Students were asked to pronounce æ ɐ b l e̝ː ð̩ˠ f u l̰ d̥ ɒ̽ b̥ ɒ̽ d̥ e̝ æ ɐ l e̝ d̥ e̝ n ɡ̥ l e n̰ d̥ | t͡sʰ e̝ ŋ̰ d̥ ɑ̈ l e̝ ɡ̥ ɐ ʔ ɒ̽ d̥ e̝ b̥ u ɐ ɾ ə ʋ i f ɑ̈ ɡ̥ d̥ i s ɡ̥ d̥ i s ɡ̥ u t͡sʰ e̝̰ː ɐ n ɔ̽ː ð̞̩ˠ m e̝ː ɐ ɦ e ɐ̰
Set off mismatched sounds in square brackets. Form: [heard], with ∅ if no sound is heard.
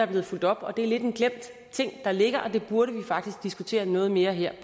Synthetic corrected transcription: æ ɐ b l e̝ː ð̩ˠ f u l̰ d̥ ɒ̽ b̥ ɒ̽ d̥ e̝ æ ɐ l e̝ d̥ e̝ n ɡ̥ l e [m̰] d̥ | t͡sʰ e̝ ŋ̰ d̥ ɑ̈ l e̝ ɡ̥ ɐ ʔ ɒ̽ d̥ e̝ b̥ u ɐ ɾ ə ʋ i f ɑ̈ ɡ̥ d̥ i s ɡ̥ d̥ i s ɡ̥ u t͡sʰ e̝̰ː ɐ n ɔ̽ː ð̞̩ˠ m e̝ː ɐ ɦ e ɐ̰